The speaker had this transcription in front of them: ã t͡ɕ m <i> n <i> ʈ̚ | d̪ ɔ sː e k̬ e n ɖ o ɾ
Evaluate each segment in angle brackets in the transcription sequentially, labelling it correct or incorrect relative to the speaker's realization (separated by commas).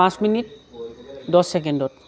correct, correct